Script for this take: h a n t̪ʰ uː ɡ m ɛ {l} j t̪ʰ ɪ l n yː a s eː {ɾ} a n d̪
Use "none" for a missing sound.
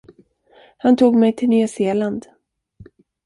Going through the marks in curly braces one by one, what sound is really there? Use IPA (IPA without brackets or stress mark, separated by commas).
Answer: none, l